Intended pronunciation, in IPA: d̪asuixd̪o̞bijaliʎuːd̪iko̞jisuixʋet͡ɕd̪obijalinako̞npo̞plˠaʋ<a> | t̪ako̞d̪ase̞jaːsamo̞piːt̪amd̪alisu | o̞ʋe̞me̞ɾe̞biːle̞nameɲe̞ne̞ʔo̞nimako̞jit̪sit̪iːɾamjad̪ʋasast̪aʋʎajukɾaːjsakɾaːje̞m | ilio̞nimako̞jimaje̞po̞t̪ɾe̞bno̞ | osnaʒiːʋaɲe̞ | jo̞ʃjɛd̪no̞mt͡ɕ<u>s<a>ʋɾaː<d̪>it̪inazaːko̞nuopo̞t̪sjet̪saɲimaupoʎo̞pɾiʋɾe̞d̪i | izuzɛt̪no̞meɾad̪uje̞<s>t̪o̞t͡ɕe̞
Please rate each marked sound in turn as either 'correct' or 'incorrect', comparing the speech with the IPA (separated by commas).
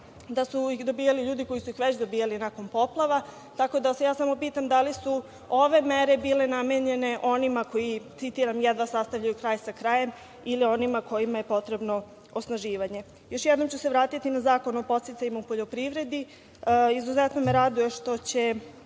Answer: correct, correct, incorrect, incorrect, incorrect